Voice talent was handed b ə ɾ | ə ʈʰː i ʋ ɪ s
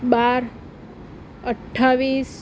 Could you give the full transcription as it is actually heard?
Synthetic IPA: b a ɾ | ə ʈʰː a ʋ i s